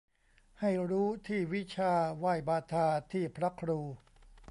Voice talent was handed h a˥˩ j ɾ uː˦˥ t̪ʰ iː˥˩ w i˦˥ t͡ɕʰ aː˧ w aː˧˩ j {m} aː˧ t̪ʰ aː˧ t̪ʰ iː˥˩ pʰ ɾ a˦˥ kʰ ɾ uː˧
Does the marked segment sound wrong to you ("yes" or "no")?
yes